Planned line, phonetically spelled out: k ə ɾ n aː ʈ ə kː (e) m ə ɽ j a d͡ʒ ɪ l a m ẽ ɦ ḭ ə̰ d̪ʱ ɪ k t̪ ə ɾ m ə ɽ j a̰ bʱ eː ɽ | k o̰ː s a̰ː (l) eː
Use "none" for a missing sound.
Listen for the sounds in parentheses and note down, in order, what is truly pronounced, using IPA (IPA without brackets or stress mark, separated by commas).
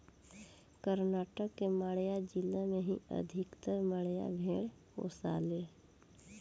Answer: e, l